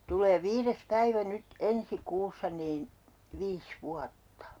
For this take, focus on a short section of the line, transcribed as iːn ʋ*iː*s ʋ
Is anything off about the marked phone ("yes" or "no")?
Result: no